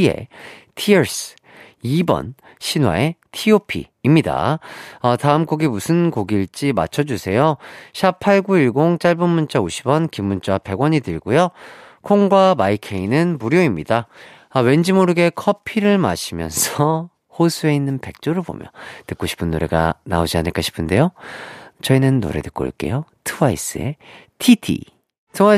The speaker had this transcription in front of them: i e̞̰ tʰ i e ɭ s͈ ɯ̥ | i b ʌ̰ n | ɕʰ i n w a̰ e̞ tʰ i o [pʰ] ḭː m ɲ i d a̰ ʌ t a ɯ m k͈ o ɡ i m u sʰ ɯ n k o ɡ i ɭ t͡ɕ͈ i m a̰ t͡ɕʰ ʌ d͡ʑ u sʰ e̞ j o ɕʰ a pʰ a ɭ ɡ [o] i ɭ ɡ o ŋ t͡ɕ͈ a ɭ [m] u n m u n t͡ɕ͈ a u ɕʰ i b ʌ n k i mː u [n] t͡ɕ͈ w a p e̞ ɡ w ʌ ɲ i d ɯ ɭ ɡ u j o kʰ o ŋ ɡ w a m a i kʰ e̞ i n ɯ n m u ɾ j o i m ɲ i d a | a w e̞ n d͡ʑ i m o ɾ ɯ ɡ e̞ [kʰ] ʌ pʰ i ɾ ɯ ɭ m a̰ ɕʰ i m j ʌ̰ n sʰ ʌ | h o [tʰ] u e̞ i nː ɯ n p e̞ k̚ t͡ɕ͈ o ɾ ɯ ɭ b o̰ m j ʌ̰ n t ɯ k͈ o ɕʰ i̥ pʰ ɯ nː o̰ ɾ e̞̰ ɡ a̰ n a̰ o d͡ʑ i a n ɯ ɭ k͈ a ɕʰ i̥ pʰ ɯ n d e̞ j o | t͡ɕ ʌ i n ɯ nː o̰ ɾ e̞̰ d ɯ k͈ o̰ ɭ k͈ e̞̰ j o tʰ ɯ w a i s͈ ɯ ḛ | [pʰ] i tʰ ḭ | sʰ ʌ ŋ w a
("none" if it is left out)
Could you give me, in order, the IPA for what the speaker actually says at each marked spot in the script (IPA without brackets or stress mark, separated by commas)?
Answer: pʰ, u, b, n, kʰ, sʰ, tʰ